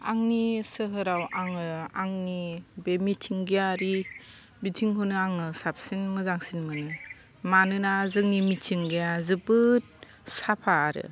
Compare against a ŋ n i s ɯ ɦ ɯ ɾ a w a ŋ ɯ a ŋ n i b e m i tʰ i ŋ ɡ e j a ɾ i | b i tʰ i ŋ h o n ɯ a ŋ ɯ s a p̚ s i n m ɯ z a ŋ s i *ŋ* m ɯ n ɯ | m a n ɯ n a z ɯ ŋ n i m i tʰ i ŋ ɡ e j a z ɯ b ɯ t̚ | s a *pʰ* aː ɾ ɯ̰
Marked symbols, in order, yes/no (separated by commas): no, yes